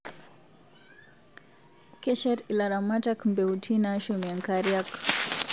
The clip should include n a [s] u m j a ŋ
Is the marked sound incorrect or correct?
incorrect